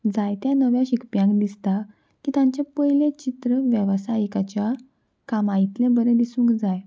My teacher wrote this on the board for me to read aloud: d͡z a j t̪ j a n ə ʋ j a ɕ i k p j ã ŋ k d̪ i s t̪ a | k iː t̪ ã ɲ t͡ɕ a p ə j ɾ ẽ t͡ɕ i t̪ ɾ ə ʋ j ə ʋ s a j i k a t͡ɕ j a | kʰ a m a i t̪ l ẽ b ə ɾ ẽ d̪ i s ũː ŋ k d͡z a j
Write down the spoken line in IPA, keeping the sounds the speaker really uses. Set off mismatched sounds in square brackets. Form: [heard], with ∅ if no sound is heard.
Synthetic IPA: d͡z a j t̪ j a n ə ʋ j a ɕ i k p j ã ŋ k d̪ i s t̪ a | k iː t̪ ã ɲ t͡ɕ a p ə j [l] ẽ t͡ɕ i t̪ ɾ ə ʋ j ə ʋ s a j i k a t͡ɕ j a | [k] a m a i t̪ l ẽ b ə ɾ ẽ d̪ i s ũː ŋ k d͡z a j